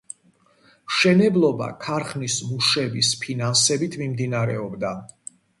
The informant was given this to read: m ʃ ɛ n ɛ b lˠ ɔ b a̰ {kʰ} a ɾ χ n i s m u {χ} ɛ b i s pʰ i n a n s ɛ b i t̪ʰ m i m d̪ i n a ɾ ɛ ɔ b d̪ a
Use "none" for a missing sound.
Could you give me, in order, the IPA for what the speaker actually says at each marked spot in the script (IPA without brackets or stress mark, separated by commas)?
kʰ, ʃ